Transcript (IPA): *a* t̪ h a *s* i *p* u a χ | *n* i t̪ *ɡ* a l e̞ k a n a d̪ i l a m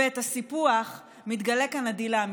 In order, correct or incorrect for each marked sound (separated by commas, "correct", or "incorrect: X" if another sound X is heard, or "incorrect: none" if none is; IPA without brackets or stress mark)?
incorrect: e, correct, correct, incorrect: m, correct